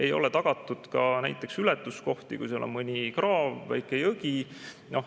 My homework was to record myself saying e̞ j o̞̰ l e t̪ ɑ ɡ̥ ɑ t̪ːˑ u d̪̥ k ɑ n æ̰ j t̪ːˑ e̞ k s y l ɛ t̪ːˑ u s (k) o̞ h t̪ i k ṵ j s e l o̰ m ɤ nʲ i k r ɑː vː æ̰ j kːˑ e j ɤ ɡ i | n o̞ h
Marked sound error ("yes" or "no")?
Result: no